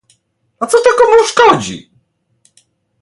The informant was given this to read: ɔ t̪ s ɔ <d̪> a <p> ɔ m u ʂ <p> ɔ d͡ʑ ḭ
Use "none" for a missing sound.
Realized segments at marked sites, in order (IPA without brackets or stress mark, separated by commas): t̪, k, k